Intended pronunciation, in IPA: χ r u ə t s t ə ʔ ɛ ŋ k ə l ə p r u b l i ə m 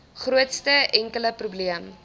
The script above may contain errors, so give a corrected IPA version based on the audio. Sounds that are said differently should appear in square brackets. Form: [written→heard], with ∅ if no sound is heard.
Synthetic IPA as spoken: χ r u ə t s t ə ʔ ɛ ŋ k ə l ə p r u b l i ə m